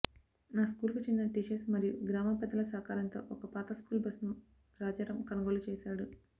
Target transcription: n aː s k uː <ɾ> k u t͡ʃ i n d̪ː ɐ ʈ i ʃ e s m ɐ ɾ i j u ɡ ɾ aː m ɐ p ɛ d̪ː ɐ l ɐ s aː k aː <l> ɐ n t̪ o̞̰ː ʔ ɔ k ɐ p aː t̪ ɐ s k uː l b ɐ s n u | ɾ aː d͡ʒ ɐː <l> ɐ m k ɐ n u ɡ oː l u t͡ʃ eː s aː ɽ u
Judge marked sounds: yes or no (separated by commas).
no, no, no